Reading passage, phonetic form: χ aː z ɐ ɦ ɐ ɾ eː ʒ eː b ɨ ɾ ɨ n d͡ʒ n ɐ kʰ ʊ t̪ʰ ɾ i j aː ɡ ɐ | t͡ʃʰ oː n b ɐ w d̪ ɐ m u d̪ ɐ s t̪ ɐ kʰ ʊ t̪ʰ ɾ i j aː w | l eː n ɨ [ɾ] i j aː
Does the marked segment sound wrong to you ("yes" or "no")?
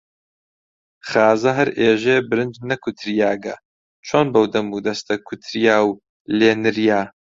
no